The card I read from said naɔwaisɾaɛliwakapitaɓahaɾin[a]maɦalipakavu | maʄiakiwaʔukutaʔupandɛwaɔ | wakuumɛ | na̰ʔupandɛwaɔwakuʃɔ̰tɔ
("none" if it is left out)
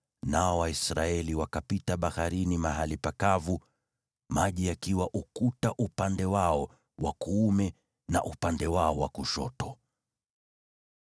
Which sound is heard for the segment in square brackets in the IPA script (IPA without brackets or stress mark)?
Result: i